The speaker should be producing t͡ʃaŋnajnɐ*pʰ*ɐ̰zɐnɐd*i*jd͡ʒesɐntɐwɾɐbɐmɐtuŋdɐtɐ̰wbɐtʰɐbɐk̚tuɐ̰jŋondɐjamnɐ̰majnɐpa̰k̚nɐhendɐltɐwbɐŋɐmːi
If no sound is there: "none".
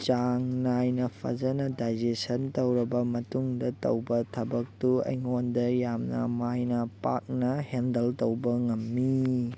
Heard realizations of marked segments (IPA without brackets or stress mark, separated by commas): pʰ, a